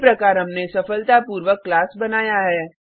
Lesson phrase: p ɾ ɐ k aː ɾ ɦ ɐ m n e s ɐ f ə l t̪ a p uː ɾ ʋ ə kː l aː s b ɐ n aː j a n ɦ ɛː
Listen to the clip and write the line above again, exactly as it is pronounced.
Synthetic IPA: p ɾ ɐ k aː ɾ ɦ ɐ m n e s ɐ f ə l t̪ a p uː ɾ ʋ ə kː l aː s b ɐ n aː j a ɦ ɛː